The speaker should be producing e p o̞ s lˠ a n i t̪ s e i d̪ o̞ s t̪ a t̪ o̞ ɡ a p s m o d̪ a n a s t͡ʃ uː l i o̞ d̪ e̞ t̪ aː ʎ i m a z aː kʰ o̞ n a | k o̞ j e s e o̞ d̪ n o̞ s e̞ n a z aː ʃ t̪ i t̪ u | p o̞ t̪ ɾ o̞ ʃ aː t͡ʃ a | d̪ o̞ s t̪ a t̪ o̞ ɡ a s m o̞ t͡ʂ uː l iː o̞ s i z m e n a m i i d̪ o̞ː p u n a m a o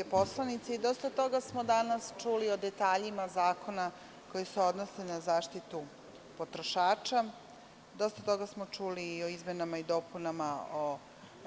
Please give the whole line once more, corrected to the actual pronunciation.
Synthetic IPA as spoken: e p o̞ s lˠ a n i t̪ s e i d̪ o̞ s t̪ a t̪ o̞ ɡ a s m o d̪ a n a s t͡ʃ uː l i o̞ d̪ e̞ t̪ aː ʎ i m a z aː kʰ o̞ n a | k o̞ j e s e o̞ d̪ n o̞ s e̞ n a z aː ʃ t̪ i t̪ u | p o̞ t̪ ɾ o̞ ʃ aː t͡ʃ a | d̪ o̞ s t̪ a t̪ o̞ ɡ a s m o̞ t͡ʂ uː l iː o̞ i z m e n a m a i d̪ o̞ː p u n a m a o